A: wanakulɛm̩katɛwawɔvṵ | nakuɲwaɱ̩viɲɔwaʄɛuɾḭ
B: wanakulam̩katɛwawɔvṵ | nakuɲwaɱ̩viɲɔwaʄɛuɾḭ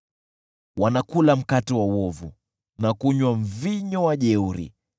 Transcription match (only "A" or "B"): B